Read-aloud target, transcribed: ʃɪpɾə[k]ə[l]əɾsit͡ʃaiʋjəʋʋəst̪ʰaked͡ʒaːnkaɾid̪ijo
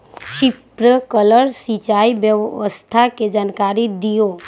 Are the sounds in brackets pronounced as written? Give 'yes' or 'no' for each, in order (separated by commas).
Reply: yes, yes